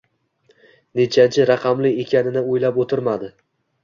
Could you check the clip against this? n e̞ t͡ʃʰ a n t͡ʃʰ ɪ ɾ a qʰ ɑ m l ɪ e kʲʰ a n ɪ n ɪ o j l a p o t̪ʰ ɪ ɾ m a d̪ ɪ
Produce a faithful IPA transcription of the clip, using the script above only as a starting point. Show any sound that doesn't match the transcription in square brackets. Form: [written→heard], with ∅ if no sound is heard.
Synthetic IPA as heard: n e̞ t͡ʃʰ a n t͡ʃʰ ɪ ɾ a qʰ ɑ m l ɪ e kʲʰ a n ɪ n ɪ o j l a p o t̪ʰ ɪ ɾ m a d̪ ɪ